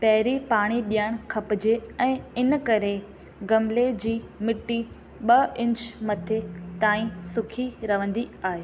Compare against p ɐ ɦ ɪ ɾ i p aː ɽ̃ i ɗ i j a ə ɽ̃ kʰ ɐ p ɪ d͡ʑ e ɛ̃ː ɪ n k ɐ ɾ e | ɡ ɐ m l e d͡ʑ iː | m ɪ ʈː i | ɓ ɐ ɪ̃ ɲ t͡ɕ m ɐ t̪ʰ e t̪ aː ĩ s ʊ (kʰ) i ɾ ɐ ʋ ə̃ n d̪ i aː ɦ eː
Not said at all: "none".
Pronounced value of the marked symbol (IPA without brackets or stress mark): kʰ